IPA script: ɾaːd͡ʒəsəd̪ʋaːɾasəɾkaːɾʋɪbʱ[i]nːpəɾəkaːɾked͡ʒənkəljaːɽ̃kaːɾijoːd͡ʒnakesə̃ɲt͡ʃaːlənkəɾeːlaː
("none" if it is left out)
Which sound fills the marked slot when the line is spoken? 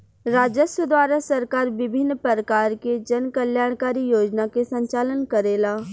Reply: ɪ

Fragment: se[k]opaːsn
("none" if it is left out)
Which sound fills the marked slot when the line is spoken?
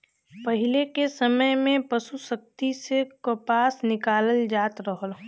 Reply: k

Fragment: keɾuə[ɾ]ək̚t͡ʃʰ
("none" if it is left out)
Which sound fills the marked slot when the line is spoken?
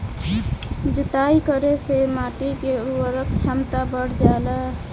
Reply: ɾ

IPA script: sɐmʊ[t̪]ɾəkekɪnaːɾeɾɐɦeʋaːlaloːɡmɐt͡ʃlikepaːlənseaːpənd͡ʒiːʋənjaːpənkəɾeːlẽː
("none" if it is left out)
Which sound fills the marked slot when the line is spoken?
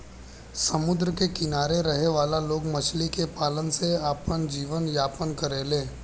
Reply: d̪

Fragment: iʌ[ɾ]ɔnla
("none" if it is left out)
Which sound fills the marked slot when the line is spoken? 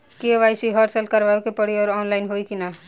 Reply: ɾ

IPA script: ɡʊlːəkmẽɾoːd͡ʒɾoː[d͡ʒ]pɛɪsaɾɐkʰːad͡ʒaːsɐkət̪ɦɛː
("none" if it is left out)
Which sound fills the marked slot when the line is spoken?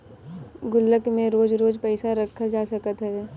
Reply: d͡ʒ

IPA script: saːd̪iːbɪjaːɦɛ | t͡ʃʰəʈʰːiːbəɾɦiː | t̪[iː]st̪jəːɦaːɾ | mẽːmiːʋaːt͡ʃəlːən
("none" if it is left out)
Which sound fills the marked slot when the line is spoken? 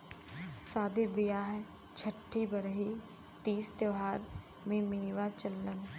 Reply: iː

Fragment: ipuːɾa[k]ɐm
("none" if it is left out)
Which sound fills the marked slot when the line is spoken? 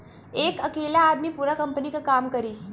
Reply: k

